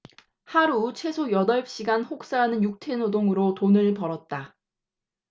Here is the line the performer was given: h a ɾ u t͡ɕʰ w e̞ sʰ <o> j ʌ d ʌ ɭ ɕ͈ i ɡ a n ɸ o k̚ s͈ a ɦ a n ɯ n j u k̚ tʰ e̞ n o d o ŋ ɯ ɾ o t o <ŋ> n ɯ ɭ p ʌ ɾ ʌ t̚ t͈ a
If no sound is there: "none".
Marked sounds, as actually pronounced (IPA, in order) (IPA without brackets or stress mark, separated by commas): o, none